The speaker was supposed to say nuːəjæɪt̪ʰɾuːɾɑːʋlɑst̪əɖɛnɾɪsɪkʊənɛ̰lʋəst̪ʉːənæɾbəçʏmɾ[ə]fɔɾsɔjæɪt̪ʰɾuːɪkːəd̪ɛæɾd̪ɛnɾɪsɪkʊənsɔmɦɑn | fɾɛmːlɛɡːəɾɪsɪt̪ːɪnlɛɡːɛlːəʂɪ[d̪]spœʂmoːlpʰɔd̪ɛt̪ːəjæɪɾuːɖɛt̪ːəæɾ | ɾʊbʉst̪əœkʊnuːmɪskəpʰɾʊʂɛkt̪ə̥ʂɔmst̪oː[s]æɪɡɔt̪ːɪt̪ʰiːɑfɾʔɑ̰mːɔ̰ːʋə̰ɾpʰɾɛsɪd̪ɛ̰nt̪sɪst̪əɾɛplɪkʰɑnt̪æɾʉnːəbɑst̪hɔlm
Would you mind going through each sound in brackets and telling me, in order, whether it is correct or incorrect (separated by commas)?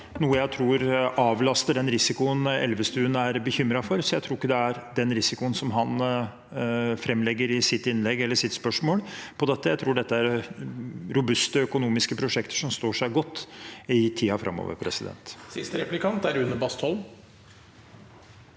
incorrect, incorrect, incorrect